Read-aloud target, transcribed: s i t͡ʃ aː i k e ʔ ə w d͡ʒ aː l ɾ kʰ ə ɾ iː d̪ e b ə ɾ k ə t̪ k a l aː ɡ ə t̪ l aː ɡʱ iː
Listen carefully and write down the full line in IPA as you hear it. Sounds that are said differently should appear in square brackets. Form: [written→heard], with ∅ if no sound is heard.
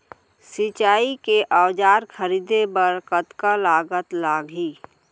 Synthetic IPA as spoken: s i t͡ʃ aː i k e ʔ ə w d͡ʒ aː [l→∅] ɾ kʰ ə ɾ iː d̪ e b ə ɾ k ə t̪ k a l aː ɡ ə t̪ l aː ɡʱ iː